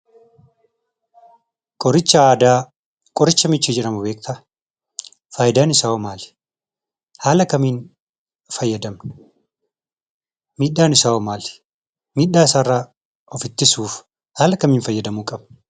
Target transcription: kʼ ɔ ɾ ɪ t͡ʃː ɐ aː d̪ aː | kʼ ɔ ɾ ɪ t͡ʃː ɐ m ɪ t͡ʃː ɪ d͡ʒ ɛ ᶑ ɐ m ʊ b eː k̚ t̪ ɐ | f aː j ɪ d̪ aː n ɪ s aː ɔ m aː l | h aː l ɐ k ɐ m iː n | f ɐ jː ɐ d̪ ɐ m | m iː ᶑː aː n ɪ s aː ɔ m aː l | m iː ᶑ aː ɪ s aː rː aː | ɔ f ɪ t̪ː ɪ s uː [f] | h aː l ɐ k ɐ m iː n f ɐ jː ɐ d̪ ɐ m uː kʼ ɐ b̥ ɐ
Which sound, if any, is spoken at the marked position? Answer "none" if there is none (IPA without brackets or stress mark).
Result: f